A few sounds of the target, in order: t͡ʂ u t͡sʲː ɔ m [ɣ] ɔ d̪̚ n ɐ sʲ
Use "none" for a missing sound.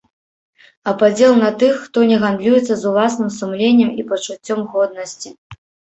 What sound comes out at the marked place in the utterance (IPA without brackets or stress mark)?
ɣ